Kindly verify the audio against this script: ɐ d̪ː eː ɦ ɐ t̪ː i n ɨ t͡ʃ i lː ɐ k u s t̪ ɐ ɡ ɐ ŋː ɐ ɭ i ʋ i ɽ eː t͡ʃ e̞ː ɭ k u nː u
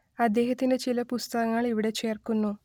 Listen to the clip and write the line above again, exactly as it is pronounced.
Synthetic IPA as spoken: ɐ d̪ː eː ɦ ɐ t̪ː i n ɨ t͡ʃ i l ɐ p u s t̪ ɐ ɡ ɐ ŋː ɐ ɭ i ʋ i ɽ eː t͡ʃ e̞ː r k u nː u